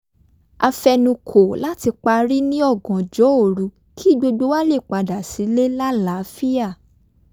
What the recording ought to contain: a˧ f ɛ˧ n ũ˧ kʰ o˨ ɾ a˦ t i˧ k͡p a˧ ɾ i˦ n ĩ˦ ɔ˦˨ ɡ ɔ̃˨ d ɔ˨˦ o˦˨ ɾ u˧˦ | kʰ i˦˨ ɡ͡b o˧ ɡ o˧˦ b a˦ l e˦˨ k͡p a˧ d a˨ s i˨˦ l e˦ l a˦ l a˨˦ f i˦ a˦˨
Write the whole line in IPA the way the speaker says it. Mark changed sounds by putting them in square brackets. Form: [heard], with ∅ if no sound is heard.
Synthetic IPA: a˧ f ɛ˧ n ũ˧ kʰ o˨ [l] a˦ t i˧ k͡p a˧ ɾ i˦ n ĩ˦ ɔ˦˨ ɡ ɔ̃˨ [d͡ʒ] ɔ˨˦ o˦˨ ɾ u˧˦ | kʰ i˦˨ ɡ͡b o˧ [ɡ͡b] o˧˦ [w] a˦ l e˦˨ k͡p a˧ d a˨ s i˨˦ l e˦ l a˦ l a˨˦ f i˦ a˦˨